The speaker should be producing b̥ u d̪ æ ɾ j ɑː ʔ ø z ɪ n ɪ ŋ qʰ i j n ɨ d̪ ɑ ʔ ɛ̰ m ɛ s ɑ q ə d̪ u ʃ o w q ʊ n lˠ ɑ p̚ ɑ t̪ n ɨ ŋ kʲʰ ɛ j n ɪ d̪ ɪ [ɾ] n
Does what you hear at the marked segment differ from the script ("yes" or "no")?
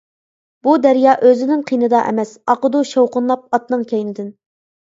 yes